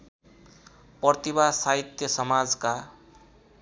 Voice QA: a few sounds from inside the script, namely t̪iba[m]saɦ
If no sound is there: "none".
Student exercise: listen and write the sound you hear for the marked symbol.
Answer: none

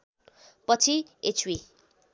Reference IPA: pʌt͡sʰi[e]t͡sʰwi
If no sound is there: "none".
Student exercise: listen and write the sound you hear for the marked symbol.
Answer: e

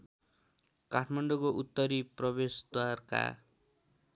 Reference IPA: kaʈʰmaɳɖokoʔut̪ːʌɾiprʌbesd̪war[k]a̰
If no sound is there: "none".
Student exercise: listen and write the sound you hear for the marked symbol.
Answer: k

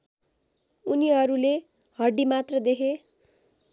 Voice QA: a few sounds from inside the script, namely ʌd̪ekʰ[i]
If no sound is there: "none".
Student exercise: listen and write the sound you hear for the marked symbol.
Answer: e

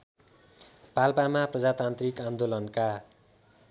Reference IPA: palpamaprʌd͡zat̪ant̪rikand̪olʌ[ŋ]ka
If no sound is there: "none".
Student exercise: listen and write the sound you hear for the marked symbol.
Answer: n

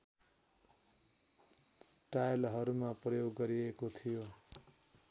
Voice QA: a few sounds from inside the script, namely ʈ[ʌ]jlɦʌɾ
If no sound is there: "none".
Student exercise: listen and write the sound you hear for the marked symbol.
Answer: a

